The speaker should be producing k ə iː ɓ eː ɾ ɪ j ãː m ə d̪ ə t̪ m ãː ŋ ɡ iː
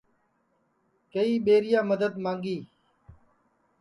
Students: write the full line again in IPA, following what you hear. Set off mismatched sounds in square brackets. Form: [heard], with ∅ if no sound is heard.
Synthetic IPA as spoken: k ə iː ɓ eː ɾ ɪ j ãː m ə d̪ ə [d̪] m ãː ŋ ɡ iː